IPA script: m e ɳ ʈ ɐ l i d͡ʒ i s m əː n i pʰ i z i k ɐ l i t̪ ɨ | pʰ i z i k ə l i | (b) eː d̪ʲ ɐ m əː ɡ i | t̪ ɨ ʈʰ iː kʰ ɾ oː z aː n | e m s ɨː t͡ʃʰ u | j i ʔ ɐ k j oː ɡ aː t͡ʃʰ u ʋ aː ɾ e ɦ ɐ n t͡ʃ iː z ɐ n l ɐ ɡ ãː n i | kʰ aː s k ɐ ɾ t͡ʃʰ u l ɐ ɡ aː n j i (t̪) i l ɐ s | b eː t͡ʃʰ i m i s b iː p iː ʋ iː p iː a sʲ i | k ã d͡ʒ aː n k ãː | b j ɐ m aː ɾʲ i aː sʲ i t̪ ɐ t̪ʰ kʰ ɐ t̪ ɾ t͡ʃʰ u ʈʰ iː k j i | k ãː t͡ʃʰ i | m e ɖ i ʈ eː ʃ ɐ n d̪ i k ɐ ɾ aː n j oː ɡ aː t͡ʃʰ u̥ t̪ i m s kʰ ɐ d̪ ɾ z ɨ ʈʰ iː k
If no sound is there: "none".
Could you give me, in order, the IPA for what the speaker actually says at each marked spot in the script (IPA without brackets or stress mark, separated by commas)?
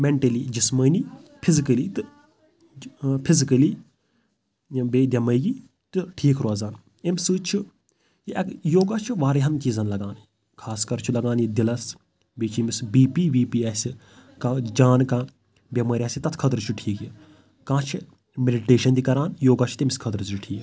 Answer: b, d̪